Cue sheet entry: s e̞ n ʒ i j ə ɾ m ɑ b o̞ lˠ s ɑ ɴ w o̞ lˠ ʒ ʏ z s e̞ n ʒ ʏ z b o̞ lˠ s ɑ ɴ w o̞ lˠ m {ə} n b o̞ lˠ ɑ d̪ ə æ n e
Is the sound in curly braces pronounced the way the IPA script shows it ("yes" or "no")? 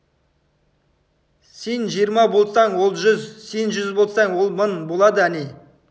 yes